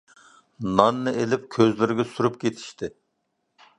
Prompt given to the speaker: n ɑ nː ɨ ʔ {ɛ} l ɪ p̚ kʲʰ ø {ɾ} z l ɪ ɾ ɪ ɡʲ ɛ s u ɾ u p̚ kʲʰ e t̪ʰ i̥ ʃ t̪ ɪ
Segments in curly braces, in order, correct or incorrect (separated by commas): incorrect, incorrect